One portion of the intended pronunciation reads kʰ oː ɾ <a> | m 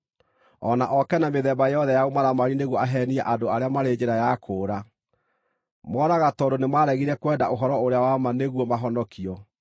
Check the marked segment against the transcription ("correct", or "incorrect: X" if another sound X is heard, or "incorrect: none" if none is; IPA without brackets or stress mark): correct